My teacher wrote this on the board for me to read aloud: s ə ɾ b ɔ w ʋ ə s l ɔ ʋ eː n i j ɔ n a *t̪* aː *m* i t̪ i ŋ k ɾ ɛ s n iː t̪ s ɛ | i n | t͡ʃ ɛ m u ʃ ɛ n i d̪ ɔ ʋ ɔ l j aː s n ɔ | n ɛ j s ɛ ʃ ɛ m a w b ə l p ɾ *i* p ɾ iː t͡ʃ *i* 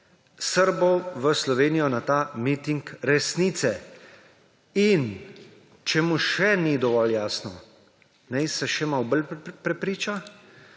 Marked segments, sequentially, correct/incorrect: correct, correct, incorrect, incorrect

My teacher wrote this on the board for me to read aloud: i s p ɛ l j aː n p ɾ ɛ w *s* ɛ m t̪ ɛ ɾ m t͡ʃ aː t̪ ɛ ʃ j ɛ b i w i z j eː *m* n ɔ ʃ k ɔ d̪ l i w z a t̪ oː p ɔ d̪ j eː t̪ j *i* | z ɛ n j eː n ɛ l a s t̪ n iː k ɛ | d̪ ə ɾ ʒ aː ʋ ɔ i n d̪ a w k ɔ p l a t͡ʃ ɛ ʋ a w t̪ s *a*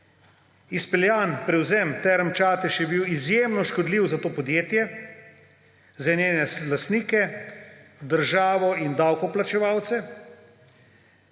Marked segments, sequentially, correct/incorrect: incorrect, correct, incorrect, incorrect

